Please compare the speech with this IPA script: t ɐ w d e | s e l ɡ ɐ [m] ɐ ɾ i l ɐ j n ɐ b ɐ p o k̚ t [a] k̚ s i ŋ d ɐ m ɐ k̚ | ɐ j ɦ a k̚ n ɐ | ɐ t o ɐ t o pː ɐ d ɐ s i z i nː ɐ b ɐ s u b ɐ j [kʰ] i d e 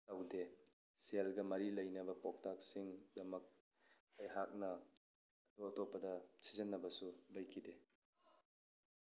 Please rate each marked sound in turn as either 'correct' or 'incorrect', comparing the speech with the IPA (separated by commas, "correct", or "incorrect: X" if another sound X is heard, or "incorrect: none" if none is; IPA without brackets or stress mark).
correct, correct, correct